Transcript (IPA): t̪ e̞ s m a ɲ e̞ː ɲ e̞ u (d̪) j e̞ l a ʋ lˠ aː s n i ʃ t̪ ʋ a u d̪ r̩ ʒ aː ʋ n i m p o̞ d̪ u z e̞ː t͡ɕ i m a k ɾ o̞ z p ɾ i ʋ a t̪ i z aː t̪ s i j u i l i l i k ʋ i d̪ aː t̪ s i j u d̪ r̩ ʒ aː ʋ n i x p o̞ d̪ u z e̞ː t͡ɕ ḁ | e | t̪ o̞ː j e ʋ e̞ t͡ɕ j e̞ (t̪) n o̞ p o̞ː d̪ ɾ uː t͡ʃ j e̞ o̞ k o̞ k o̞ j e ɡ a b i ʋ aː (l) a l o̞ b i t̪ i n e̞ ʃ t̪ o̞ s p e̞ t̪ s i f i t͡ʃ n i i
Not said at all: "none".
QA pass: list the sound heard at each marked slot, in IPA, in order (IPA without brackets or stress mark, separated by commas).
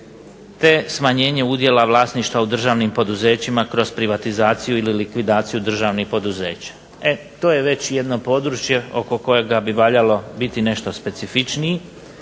d̪, d̪, ʎ